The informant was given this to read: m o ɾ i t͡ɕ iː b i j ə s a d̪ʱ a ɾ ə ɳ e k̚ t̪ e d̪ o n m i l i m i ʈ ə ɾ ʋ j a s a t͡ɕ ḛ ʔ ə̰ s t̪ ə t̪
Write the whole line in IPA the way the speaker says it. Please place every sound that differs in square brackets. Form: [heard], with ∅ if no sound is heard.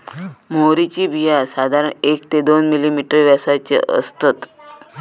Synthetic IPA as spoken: m o ɾ i t͡ɕ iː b i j [a] s a d̪ʱ a ɾ ə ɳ e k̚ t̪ e d̪ o n m i l i m i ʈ ə ɾ ʋ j a s a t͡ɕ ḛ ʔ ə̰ s t̪ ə t̪